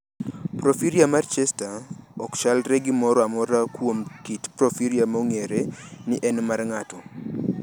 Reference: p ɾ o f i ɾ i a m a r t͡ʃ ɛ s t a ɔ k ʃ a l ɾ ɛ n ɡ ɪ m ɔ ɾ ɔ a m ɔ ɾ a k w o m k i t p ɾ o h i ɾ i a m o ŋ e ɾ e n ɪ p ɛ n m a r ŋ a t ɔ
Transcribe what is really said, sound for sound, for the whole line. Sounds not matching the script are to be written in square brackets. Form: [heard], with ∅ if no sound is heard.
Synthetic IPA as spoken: p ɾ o f i ɾ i a m a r t͡ʃ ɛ s t a ɔ k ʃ a l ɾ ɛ [∅] ɡ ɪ m ɔ ɾ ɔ a m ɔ ɾ a k w o m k i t p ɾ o [f] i ɾ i a m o ŋ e ɾ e n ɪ [ʔ] ɛ n m a r ŋ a t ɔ